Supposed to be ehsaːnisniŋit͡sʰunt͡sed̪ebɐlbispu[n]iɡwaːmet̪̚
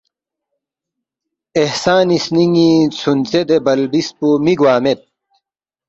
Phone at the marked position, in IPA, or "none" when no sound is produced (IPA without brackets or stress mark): m